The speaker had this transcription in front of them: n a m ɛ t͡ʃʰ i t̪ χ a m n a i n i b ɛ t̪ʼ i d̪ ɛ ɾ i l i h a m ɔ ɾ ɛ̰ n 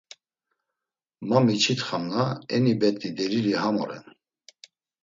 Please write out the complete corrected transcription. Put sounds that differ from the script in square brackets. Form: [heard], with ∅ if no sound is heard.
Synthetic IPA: [m] a m [i] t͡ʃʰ i t̪ χ a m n a [ɛ] n i b ɛ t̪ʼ i d̪ ɛ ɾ i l i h a m ɔ ɾ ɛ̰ n